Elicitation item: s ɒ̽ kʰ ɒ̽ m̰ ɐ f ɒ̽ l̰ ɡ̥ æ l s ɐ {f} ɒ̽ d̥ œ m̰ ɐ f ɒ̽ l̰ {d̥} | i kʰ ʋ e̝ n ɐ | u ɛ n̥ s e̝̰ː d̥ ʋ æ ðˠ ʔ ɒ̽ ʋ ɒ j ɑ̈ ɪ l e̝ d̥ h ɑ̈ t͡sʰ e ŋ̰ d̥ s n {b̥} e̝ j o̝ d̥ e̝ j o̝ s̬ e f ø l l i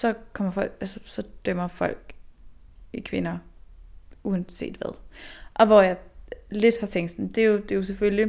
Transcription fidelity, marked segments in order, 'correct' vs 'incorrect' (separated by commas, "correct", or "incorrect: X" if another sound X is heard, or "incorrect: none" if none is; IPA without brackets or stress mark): incorrect: s, incorrect: ɡ̥, incorrect: d̥